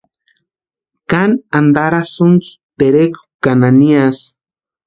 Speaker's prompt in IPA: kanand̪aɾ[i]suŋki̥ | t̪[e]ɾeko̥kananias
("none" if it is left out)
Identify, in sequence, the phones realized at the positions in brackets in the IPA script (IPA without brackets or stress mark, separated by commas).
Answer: a, e